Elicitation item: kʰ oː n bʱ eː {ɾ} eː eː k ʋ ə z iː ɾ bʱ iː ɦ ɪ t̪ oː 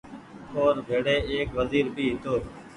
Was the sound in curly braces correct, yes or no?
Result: no